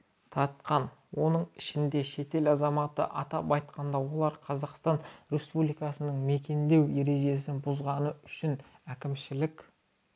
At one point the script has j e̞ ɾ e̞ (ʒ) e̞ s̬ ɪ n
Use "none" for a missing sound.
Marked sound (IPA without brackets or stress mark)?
ʒ